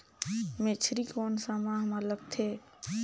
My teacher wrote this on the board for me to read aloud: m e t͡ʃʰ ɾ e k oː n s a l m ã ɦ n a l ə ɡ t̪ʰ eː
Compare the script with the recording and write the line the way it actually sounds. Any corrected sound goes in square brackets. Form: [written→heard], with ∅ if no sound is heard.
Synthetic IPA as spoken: m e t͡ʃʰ ɾ [e→i] k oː n s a [l→∅] m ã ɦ [n→m] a l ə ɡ t̪ʰ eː